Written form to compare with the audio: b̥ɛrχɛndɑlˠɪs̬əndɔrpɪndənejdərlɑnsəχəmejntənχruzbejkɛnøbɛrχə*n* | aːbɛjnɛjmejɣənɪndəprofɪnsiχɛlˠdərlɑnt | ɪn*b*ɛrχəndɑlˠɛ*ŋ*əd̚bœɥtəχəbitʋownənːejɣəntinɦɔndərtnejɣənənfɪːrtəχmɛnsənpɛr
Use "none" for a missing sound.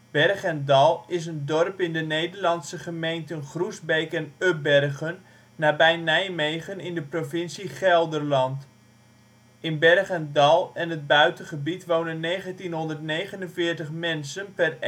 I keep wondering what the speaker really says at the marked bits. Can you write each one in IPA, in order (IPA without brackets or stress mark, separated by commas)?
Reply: nː, b, n